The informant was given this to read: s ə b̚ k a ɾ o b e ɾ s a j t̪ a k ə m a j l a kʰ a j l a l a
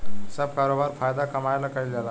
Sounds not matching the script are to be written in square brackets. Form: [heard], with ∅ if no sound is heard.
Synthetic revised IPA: s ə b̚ k a ɾ o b [a] ɾ [f] a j [d̪] a k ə m a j l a [k] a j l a l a